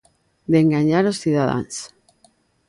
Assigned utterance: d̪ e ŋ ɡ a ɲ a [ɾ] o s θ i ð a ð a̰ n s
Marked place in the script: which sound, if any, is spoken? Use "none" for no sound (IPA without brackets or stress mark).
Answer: ɾ